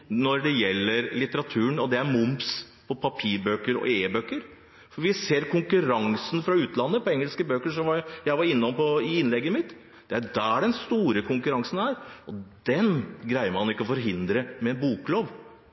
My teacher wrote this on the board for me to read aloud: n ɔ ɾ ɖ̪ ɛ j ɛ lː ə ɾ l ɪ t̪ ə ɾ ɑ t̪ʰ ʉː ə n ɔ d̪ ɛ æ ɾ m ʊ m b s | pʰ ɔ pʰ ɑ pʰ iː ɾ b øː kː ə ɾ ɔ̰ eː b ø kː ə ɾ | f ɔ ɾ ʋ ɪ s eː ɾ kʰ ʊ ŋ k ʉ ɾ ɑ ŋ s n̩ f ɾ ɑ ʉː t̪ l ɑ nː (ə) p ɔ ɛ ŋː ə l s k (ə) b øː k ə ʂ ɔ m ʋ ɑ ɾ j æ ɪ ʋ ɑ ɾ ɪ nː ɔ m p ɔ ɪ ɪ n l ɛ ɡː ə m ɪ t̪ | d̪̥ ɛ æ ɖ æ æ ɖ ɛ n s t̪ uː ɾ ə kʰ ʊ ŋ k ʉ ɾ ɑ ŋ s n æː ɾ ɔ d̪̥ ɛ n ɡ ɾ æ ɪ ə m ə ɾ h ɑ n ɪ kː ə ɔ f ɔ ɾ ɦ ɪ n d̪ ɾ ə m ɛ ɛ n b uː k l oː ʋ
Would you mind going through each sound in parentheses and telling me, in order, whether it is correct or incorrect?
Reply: correct, correct

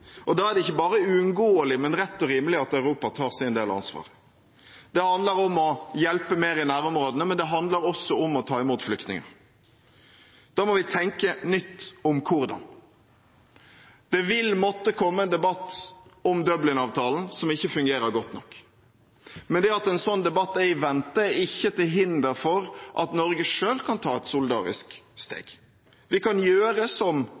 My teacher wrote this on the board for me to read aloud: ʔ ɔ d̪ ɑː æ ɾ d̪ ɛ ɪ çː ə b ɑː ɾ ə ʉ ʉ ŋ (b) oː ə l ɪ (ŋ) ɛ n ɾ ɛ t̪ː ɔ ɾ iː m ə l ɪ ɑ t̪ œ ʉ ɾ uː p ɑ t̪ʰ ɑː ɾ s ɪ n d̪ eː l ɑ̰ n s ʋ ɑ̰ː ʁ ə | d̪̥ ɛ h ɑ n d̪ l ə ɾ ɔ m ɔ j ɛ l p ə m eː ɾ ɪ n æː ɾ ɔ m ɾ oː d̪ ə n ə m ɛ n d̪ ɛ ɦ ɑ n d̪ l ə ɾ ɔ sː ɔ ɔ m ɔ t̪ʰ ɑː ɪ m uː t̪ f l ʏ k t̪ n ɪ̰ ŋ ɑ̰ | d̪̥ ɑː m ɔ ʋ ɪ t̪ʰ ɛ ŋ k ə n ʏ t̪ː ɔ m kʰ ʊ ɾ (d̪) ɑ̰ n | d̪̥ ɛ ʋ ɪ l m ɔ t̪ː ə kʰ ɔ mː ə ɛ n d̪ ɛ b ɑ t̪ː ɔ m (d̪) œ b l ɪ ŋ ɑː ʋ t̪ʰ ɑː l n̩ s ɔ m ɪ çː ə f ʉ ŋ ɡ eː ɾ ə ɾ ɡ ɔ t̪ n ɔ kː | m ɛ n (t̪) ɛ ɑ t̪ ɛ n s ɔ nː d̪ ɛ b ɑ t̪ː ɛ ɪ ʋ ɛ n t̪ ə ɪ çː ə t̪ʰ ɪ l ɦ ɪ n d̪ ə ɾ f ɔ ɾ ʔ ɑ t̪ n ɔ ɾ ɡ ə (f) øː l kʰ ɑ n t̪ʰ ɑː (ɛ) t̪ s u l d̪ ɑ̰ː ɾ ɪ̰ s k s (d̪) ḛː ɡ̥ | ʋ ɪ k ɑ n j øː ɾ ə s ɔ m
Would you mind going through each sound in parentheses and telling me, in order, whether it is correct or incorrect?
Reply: incorrect: ɡ, incorrect: m, correct, correct, incorrect: d̪, incorrect: ʂ, correct, incorrect: t̪

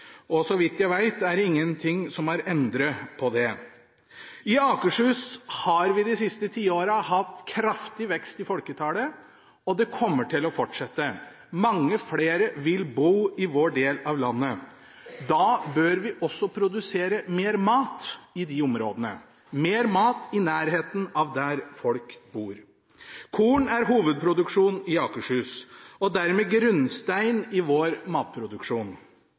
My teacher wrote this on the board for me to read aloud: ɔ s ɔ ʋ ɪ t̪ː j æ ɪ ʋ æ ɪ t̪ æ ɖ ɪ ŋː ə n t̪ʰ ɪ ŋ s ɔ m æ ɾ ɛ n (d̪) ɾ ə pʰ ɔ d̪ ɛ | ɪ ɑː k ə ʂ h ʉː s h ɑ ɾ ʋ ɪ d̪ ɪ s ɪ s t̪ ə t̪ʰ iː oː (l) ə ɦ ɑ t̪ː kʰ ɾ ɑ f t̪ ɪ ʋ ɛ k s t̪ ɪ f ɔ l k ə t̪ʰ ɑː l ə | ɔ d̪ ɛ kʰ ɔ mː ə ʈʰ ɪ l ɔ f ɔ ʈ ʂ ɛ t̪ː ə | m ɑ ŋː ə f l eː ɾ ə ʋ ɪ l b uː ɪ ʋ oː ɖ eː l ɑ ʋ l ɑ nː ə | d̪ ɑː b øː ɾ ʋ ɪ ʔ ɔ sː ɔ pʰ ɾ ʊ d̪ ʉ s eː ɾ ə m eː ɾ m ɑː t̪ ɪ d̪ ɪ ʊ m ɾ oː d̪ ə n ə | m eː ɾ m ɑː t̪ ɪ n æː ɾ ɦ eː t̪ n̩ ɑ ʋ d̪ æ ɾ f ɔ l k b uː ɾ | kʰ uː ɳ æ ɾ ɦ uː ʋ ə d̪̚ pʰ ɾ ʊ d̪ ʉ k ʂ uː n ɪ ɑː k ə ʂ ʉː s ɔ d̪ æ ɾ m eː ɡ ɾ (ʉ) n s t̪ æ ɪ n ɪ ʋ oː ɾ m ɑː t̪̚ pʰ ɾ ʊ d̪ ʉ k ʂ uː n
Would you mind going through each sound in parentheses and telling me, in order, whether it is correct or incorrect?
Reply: correct, incorrect: ɾ, correct

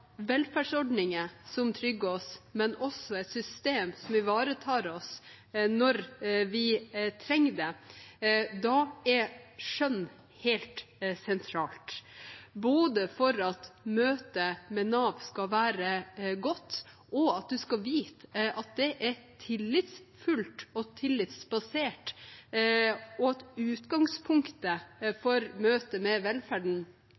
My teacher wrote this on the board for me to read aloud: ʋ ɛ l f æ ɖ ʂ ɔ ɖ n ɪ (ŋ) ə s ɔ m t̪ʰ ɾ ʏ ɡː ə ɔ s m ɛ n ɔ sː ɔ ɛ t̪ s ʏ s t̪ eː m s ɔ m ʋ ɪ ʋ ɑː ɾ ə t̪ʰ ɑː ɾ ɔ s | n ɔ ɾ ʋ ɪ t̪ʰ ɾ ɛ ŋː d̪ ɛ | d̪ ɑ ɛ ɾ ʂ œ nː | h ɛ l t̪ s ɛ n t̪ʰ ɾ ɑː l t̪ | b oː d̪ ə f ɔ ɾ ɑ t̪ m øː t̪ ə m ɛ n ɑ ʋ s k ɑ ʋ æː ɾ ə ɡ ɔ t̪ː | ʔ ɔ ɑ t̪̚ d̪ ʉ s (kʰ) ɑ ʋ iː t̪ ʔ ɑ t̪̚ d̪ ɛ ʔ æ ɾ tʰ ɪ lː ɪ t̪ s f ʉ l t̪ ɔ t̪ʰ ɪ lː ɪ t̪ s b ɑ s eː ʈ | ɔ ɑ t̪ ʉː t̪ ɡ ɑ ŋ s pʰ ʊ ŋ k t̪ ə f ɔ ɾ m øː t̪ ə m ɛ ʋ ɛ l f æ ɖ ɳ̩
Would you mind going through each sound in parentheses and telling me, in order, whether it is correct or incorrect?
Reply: correct, incorrect: k

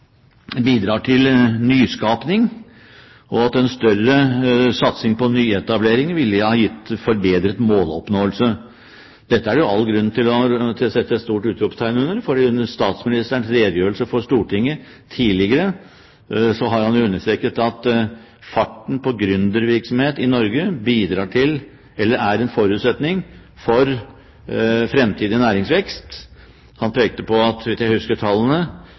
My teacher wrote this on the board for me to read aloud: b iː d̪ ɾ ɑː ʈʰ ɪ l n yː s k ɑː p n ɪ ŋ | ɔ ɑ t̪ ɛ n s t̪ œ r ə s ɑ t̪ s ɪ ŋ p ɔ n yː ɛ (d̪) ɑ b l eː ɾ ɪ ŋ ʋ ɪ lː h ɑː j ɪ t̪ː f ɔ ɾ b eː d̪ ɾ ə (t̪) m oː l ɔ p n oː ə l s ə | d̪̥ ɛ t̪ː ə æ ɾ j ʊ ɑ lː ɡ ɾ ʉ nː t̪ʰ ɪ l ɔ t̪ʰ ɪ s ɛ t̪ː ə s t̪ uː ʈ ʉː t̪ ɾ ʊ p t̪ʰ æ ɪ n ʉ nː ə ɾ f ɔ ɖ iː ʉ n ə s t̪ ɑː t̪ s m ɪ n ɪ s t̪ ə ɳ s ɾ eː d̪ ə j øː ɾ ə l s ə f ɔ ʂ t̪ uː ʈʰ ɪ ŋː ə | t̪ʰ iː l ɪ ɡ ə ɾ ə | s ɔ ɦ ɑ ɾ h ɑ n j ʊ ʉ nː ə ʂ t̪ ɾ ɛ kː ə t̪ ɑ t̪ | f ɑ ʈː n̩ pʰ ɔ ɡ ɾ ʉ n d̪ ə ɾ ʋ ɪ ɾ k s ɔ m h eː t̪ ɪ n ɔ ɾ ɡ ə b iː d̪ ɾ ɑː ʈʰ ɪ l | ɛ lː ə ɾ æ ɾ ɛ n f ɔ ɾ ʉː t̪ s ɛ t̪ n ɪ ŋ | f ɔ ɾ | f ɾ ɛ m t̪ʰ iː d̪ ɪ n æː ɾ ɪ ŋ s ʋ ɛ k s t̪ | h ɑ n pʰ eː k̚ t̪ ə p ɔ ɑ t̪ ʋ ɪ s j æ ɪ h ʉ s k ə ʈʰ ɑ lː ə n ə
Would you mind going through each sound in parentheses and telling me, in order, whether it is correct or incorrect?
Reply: incorrect: t̪, correct

